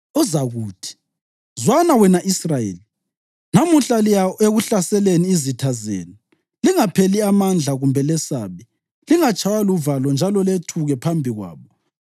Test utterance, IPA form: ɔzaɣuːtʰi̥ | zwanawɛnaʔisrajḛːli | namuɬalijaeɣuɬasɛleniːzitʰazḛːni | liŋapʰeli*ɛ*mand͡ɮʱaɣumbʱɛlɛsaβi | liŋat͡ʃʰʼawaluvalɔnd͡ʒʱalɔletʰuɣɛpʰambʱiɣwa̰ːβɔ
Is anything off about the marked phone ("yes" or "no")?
yes